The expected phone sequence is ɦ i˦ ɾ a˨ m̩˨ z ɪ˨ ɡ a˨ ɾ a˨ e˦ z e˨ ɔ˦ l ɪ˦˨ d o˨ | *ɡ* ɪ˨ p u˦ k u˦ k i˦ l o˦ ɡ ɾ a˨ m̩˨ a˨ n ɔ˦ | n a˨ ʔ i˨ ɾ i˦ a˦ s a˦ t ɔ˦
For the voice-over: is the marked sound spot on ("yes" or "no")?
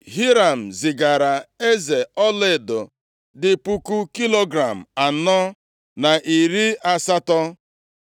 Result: no